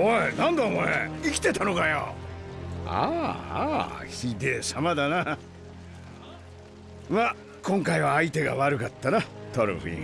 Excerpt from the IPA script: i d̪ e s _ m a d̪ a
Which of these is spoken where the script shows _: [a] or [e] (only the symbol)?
a